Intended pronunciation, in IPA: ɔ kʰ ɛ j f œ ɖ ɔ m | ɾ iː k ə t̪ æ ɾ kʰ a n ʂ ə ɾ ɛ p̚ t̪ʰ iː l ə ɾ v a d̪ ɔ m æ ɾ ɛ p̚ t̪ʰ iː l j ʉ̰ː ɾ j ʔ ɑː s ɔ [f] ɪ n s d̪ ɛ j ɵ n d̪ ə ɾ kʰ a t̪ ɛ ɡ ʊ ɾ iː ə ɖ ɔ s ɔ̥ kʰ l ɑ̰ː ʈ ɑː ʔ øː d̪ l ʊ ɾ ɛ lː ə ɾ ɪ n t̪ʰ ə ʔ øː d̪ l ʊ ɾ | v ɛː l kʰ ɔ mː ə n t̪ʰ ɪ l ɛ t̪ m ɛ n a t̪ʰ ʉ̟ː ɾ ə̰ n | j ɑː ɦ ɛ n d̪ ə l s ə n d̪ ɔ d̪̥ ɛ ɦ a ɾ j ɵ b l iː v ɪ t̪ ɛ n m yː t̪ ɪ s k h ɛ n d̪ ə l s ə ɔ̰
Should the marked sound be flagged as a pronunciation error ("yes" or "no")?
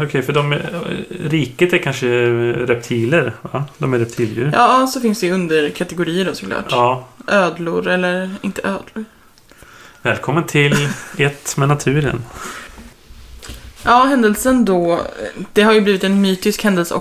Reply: no